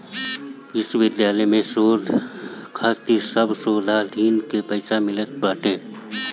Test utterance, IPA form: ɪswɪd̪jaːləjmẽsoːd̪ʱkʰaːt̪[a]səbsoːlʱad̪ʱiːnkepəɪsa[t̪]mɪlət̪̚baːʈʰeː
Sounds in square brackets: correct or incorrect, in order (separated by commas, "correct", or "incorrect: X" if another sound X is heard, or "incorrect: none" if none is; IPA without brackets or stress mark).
incorrect: i, incorrect: none